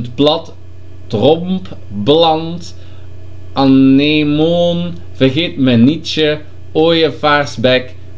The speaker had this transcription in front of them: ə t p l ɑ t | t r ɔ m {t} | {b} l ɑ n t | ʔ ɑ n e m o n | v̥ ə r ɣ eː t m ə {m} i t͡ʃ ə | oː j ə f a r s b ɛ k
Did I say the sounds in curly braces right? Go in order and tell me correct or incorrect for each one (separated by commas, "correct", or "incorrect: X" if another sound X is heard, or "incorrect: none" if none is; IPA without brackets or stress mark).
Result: incorrect: p, correct, incorrect: n